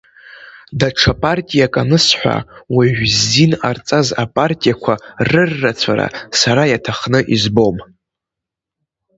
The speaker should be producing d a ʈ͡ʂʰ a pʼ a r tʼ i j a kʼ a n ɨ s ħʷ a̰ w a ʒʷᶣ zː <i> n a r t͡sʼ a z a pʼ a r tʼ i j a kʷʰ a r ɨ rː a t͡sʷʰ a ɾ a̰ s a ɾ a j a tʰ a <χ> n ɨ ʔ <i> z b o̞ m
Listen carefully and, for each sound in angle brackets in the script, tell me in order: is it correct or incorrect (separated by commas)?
correct, correct, correct